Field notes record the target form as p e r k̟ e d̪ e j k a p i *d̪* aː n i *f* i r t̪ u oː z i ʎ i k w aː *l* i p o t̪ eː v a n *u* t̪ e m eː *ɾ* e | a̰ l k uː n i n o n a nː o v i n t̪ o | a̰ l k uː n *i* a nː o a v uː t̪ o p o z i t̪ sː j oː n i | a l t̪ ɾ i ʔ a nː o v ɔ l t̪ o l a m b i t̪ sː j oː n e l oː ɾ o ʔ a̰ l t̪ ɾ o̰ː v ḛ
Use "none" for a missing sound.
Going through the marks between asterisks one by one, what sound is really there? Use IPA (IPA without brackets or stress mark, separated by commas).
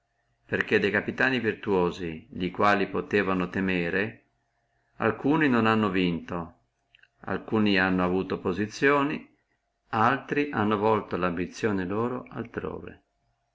t̪, v, l, o, ɾ, i